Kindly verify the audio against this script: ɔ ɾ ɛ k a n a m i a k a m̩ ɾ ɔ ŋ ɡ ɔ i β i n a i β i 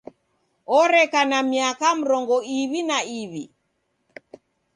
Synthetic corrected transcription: ɔ ɾ ɛ k a n a m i a k a m̩ ɾ ɔ ŋ ɡ ɔ i β i n a i β i